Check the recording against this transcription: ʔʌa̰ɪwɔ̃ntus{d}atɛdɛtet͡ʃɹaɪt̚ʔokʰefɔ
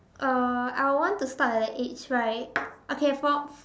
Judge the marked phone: incorrect: t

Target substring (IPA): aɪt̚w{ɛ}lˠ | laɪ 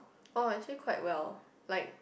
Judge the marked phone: correct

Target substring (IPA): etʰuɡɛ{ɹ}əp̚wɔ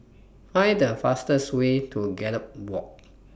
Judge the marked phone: incorrect: l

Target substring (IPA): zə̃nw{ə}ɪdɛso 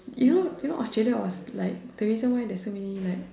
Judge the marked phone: incorrect: a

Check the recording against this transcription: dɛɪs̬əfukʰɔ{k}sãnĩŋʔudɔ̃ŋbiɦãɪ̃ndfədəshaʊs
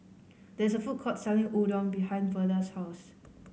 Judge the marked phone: incorrect: t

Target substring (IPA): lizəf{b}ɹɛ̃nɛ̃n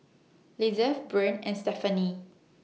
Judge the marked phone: correct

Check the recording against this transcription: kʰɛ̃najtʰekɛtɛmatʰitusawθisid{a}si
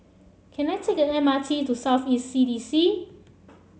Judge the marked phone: incorrect: i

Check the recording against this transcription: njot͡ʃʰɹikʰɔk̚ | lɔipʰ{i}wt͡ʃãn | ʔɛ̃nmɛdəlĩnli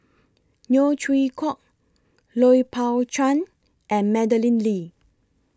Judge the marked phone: incorrect: a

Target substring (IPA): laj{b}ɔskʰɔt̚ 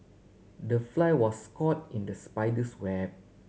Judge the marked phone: incorrect: w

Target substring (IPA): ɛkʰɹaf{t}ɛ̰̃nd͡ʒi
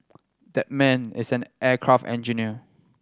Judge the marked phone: correct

